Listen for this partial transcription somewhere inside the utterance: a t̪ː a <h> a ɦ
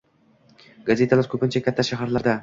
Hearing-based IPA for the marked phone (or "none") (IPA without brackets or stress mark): ʃ